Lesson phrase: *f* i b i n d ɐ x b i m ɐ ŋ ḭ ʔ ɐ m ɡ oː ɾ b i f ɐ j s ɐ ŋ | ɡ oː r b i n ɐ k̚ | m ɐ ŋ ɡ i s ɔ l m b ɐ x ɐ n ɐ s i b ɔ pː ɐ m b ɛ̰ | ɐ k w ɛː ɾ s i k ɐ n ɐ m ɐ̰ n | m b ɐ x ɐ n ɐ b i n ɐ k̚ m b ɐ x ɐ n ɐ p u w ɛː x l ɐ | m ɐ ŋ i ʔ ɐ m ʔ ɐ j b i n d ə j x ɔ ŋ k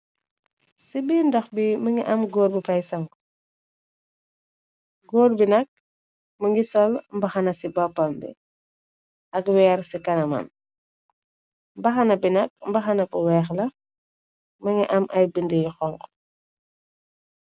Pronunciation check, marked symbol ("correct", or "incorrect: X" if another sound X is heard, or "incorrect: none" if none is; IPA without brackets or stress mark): incorrect: s